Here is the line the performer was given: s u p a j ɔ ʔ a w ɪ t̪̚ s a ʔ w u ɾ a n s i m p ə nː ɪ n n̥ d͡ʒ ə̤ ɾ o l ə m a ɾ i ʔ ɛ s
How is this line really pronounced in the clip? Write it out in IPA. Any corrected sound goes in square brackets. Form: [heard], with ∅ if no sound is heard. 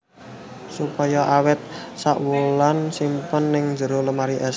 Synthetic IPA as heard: s u p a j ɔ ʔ a w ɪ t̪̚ s a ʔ w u [l] a n s i m p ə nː ɪ [ŋ] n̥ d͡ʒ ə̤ ɾ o l ə m a ɾ i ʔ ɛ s